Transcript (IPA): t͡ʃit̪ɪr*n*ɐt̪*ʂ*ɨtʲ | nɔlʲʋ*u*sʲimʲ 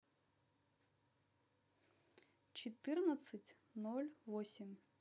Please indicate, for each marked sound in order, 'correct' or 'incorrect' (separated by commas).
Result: correct, incorrect, incorrect